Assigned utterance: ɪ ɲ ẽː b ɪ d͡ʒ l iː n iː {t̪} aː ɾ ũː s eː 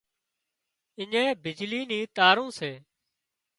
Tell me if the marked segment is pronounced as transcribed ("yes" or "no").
yes